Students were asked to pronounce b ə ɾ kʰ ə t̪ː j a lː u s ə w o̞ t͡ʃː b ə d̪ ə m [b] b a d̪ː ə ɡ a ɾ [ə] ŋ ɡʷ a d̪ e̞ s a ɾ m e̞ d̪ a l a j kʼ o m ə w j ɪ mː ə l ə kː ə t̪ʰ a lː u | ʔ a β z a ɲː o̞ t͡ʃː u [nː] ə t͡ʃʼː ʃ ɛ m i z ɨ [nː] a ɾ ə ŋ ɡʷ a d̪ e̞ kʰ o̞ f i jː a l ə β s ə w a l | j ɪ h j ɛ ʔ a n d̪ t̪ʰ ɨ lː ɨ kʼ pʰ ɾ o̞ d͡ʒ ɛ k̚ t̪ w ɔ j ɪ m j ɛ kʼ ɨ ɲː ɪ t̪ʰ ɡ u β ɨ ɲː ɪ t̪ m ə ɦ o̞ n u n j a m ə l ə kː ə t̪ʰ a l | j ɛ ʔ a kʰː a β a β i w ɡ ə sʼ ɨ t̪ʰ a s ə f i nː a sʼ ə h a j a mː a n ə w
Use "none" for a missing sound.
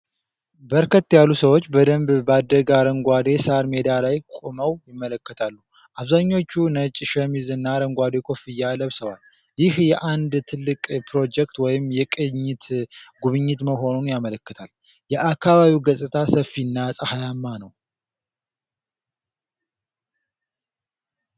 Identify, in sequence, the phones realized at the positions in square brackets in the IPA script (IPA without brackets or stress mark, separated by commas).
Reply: b, ə, n, nː